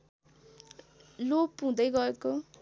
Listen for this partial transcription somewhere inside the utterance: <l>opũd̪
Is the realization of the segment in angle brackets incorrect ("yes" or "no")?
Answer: no